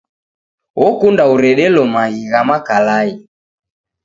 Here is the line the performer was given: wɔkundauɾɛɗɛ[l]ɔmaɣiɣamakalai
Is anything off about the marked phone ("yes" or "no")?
no